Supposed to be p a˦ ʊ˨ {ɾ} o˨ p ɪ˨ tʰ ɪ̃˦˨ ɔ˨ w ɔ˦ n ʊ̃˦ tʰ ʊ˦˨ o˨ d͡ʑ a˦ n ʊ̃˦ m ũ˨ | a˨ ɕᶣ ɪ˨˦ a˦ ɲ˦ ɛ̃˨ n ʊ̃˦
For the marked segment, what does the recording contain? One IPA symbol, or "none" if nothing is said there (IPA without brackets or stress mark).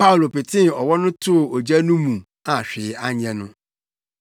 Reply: l